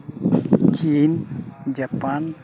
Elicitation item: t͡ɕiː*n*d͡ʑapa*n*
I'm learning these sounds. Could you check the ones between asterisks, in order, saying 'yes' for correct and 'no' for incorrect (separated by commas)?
yes, yes